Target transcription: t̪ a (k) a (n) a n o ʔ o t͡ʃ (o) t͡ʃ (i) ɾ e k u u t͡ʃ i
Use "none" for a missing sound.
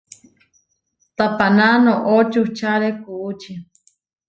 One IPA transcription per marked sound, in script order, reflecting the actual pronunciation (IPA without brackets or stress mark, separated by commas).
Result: p, n, u, a